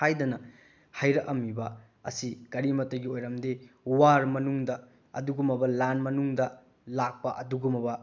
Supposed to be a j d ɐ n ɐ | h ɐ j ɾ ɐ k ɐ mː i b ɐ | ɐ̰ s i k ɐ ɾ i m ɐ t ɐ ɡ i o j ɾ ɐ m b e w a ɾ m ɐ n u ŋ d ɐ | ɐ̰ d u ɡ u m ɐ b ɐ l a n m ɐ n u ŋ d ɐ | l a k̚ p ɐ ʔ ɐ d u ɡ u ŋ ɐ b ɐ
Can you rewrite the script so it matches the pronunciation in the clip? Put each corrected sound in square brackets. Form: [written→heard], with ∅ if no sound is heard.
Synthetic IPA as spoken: a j d ɐ n ɐ | h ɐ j ɾ ɐ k ɐ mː i b ɐ | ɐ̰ s i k ɐ ɾ i m ɐ t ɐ ɡ i o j ɾ ɐ m [b→d] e w a ɾ m ɐ n u ŋ d ɐ | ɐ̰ d u ɡ u m ɐ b ɐ l a n m ɐ n u ŋ d ɐ | l a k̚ p ɐ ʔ ɐ d u ɡ u [ŋ→m] ɐ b ɐ

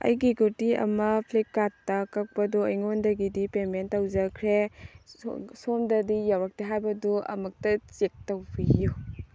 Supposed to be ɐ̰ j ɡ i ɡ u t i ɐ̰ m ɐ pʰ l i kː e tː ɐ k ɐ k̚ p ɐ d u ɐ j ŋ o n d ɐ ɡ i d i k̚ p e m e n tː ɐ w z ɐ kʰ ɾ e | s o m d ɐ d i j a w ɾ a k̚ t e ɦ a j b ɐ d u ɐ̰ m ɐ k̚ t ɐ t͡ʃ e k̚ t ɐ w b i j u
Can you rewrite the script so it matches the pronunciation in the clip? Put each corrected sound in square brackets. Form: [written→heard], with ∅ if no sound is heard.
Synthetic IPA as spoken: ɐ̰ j ɡ i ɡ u t i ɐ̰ m ɐ pʰ l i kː [e→a] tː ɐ k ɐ k̚ p ɐ d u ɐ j ŋ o n d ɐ ɡ i d i [k̚→∅] p e m e n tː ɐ w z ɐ kʰ ɾ e | s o m d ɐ d i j a w ɾ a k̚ t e ɦ a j b ɐ d u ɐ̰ m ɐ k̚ t ɐ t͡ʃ e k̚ t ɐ w b i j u

